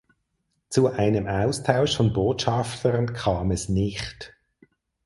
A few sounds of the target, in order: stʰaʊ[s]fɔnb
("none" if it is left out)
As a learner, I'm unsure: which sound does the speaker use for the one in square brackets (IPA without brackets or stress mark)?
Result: ʃ